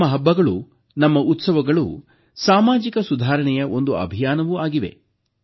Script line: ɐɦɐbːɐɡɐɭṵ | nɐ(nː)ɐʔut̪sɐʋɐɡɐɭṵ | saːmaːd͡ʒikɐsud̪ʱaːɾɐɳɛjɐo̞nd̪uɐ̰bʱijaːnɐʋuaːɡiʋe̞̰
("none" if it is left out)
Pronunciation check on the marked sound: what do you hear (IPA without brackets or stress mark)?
mː